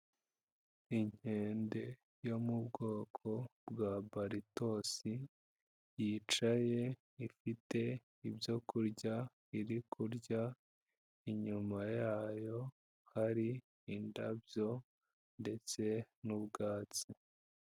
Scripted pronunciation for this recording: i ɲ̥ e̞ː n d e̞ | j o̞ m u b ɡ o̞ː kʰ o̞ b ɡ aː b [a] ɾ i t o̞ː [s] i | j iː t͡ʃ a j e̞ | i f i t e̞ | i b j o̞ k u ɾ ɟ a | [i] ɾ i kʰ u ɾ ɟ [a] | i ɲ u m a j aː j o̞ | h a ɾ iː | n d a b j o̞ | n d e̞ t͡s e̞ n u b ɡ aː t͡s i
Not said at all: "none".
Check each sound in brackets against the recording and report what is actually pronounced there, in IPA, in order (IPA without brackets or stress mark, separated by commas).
a, s, i, a